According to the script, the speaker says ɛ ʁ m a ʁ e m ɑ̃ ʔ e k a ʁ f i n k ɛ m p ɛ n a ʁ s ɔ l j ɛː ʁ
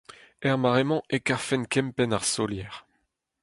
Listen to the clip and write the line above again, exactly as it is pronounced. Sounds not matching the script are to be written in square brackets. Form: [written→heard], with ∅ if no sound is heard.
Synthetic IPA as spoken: ɛ ʁ m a ʁ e m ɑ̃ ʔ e k a ʁ f [i→ɛ] n k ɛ m p ɛ n a ʁ s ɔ l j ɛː ʁ